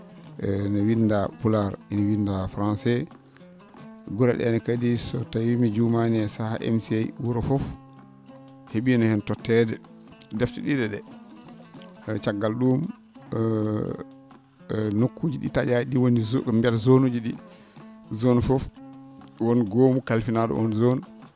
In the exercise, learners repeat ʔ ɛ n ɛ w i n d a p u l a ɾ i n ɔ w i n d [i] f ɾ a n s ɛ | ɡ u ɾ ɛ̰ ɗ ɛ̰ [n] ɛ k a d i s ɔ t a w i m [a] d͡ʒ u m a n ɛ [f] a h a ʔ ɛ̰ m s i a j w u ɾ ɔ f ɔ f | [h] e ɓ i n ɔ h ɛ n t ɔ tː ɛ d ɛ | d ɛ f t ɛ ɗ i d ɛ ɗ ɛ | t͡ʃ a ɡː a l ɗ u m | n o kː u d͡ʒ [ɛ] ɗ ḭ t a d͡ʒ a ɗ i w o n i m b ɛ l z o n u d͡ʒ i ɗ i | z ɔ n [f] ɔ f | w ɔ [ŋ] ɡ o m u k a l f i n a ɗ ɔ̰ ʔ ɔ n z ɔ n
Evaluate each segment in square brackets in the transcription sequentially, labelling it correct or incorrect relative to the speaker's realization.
incorrect, correct, incorrect, incorrect, correct, incorrect, correct, incorrect

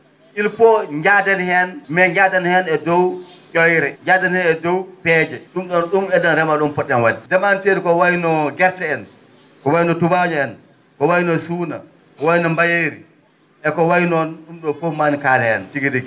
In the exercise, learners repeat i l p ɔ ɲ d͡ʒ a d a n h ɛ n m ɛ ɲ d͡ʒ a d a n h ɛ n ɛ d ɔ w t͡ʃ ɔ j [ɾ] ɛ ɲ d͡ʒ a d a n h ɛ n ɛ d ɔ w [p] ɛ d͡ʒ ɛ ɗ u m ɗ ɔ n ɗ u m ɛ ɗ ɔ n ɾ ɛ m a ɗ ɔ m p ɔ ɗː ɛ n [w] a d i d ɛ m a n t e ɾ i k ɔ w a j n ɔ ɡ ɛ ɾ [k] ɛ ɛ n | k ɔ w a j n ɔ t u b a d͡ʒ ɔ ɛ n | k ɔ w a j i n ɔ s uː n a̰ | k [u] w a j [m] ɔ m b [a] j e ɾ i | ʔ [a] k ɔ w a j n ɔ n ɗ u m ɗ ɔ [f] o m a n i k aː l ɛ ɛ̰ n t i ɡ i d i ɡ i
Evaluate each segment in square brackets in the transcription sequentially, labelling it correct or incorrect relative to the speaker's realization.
correct, correct, correct, incorrect, incorrect, incorrect, correct, incorrect, correct

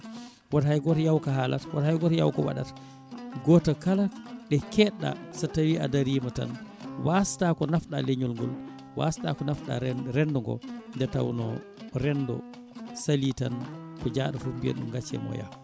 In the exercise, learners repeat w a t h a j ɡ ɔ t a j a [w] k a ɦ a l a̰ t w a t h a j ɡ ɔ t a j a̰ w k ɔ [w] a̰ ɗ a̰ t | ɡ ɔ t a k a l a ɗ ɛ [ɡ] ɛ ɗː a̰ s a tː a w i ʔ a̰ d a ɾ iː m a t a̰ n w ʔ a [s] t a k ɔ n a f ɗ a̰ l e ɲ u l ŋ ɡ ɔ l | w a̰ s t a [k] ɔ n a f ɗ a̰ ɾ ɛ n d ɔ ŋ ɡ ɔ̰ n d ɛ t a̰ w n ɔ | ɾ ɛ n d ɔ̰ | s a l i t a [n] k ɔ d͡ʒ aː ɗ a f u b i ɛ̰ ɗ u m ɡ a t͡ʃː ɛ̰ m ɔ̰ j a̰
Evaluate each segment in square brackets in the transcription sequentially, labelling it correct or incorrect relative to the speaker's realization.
correct, correct, incorrect, correct, correct, correct

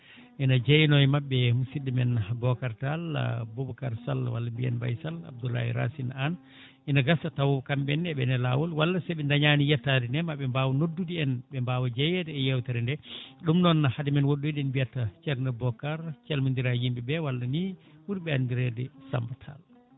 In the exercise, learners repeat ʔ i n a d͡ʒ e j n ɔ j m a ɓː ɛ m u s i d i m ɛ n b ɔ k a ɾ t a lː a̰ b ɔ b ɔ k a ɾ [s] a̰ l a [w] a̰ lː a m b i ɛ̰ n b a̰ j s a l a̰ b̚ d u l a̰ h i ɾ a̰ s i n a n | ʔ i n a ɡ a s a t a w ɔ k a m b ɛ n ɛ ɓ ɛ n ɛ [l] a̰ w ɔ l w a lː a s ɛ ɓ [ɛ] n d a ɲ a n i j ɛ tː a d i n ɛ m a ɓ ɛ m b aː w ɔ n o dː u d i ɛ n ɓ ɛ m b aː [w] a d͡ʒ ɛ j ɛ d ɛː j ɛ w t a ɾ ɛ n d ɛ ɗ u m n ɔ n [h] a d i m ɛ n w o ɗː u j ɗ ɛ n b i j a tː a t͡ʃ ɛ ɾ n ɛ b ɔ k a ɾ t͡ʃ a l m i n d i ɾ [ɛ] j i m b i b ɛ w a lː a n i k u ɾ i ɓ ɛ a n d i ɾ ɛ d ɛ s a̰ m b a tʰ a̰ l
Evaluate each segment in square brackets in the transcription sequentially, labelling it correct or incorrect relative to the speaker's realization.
correct, correct, correct, correct, correct, correct, incorrect

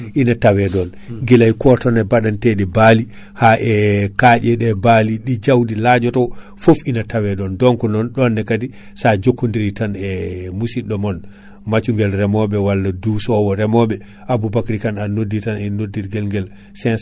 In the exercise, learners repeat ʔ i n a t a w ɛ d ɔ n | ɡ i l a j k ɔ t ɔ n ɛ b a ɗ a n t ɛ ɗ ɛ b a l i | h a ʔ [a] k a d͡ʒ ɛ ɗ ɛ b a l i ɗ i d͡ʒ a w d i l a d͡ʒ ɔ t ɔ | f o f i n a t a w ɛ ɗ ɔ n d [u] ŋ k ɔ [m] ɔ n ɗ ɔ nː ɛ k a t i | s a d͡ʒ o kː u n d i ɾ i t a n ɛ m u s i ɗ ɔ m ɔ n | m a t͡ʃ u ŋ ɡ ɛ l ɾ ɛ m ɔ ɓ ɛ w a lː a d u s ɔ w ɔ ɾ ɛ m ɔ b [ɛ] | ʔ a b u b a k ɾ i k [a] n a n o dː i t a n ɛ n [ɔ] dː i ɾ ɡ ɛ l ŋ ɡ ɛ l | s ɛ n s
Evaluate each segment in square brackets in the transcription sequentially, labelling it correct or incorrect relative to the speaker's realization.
incorrect, incorrect, incorrect, correct, correct, incorrect

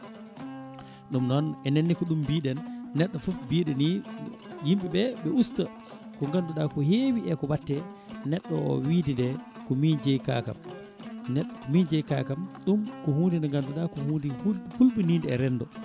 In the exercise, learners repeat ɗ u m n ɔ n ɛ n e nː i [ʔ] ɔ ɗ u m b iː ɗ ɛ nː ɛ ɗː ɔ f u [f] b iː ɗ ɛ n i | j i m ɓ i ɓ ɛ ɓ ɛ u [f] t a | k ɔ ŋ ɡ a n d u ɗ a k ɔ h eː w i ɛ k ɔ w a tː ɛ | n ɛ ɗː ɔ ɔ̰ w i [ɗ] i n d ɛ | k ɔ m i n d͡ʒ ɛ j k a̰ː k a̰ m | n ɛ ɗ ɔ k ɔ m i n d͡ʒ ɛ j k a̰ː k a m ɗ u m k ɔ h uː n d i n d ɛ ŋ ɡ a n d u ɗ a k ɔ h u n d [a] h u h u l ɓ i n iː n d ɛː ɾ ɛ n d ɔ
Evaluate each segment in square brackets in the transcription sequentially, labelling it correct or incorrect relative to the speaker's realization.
incorrect, correct, incorrect, incorrect, incorrect

